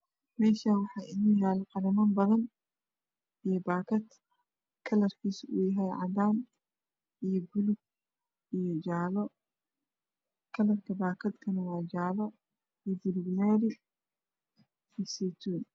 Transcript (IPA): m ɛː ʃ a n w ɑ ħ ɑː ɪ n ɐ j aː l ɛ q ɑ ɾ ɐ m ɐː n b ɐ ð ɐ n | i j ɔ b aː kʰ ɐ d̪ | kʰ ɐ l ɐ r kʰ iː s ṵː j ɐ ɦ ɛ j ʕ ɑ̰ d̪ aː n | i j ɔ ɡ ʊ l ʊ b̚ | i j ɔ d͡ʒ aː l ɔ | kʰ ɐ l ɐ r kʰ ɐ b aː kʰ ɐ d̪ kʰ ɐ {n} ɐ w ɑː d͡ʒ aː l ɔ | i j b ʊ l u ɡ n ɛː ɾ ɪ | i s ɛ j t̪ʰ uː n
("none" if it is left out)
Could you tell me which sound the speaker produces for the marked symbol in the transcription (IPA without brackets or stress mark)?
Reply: n